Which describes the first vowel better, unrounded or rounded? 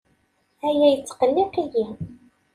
unrounded